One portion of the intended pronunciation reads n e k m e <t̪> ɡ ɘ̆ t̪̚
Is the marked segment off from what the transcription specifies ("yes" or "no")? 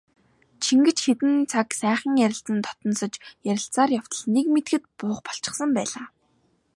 no